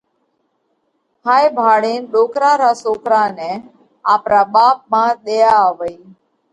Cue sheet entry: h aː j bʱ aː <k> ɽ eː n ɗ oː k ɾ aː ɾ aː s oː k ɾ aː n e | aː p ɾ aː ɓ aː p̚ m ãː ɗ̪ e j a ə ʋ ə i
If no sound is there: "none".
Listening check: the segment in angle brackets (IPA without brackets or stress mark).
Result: none